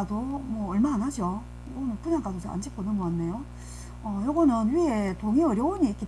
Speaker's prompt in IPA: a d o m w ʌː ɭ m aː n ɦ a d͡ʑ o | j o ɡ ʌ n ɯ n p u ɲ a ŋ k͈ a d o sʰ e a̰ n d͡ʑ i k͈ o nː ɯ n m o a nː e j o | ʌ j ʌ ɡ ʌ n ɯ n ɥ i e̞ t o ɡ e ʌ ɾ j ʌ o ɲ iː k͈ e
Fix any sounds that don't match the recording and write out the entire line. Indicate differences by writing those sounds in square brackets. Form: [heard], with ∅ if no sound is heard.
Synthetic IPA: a d o m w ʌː ɭ m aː n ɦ a d͡ʑ o | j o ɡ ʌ n ɯ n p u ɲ a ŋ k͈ a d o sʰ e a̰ n d͡ʑ i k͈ o [n] ɯ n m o a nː e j o | ʌ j ʌ ɡ ʌ n ɯ n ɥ i e̞ t o [ŋ] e ʌ ɾ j ʌ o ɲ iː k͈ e